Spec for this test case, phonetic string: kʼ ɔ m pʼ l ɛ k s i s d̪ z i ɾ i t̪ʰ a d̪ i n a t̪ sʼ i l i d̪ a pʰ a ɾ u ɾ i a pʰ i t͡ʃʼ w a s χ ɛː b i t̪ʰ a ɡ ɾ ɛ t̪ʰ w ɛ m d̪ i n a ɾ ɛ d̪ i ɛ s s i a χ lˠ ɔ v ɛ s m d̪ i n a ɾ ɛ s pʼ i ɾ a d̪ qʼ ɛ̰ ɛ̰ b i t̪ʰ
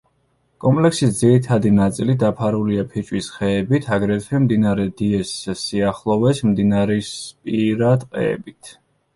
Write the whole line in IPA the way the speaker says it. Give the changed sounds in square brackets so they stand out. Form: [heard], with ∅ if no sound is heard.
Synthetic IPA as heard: kʼ ɔ m pʼ l ɛ k s i s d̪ z i ɾ i t̪ʰ a d̪ i n a t̪ sʼ i l i d̪ a pʰ a ɾ u [l] i a pʰ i t͡ʃʼ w [i] s χ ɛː b i t̪ʰ a ɡ ɾ ɛ t̪ʰ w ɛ m d̪ i n a ɾ ɛ d̪ i ɛ s s i a χ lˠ ɔ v ɛ s m d̪ i n a ɾ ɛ s pʼ i ɾ a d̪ qʼ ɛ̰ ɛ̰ b i t̪ʰ